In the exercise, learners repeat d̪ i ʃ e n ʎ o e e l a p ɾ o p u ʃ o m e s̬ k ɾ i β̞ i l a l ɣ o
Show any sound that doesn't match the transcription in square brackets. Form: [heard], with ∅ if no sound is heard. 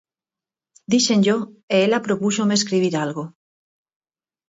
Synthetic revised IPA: d̪ i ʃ e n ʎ o e e l a p ɾ o p u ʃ o m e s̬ k ɾ i β̞ i [ɾ] a l ɣ o